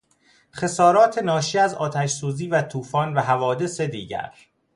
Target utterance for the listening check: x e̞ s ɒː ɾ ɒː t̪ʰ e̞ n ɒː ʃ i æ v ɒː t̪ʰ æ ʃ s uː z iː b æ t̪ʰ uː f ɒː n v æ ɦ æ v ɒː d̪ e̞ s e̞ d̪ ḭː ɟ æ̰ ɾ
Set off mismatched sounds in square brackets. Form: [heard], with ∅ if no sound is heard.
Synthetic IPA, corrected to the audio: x e̞ s ɒː ɾ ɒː t̪ʰ e̞ n ɒː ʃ i æ [z] ɒː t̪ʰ æ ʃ s uː z iː [v] æ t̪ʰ uː f ɒː n v æ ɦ æ v ɒː d̪ e̞ s e̞ d̪ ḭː ɟ æ̰ ɾ